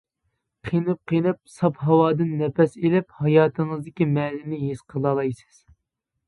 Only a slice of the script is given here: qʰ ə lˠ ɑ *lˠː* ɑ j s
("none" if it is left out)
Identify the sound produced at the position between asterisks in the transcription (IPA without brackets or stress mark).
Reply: lˠ